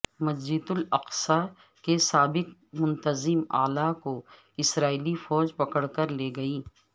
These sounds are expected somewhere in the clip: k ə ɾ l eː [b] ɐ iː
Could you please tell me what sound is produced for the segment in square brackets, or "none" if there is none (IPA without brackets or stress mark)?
ɡ